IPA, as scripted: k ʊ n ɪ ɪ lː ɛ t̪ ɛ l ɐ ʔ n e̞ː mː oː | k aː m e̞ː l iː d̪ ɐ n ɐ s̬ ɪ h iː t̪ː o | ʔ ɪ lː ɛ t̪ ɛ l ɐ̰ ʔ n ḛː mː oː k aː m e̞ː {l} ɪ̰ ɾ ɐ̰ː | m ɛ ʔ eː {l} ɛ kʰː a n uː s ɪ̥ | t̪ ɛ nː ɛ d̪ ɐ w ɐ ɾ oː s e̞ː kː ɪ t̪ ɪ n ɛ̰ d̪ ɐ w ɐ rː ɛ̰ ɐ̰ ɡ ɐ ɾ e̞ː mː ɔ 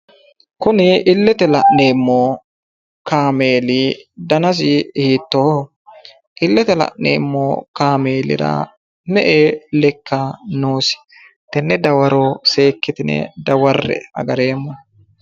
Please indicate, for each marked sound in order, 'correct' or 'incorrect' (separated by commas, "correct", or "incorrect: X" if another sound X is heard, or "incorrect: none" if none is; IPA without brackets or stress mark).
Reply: correct, correct